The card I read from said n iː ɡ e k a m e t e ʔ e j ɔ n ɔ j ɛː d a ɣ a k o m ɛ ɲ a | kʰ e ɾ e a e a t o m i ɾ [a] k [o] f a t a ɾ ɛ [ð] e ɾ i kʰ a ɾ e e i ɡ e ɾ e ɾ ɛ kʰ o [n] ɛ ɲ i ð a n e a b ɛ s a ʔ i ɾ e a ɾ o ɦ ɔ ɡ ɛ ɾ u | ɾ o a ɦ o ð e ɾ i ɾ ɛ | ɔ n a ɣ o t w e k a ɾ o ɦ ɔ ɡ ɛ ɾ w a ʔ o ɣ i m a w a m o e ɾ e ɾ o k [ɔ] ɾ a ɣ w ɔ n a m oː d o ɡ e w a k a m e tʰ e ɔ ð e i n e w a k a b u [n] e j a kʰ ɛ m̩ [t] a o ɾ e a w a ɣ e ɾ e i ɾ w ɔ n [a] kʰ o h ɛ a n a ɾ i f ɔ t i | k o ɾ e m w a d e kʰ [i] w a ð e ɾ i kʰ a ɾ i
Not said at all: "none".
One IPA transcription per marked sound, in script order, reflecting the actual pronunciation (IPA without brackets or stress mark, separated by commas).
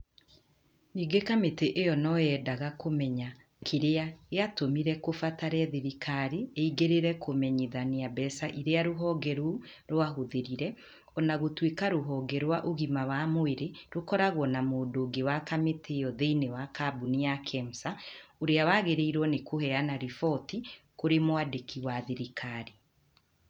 ɛ, o, ð, m, ɔ, n, s, e, i